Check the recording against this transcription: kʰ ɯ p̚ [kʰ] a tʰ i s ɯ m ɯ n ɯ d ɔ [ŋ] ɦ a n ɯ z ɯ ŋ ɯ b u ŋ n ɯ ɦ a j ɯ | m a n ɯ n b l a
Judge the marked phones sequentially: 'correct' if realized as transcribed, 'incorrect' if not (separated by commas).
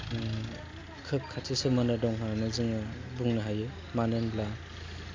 correct, correct